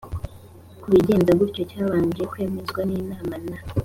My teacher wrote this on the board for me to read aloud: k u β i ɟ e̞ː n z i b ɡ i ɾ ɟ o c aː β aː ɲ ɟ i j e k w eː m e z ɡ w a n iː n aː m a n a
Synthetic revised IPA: k u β i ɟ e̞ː n z a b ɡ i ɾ c o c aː β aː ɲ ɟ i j e k w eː m e z ɡ w a n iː n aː m a n a